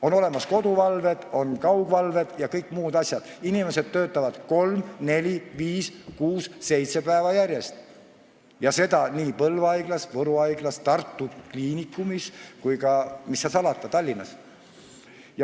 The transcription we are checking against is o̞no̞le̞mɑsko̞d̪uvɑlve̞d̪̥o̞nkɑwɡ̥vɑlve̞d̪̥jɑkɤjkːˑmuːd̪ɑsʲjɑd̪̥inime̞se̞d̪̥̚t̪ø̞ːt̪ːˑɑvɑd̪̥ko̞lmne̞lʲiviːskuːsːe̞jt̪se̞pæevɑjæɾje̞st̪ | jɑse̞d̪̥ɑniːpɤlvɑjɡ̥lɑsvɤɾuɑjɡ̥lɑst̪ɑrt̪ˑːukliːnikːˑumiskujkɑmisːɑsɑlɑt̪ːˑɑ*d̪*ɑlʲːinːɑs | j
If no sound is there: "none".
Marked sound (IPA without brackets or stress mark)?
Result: t̪